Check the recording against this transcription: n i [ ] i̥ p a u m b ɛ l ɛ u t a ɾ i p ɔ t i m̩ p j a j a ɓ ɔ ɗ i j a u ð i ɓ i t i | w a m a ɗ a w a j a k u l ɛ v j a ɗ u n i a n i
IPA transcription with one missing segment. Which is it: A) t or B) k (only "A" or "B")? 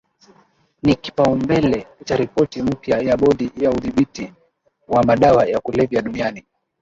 B